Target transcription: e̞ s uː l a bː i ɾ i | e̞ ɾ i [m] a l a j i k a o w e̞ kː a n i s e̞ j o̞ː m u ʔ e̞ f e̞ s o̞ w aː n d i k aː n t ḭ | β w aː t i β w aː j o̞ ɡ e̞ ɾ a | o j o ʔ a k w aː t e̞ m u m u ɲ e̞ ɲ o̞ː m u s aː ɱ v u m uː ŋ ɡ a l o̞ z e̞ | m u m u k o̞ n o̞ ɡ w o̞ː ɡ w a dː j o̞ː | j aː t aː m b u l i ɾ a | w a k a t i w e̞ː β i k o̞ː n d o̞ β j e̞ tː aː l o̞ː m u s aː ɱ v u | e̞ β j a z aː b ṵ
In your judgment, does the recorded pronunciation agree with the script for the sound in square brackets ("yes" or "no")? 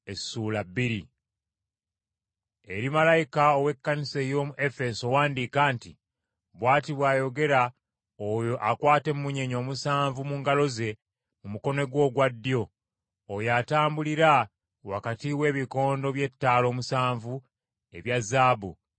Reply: yes